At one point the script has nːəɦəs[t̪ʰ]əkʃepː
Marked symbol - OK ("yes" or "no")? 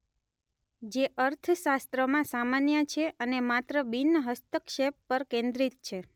no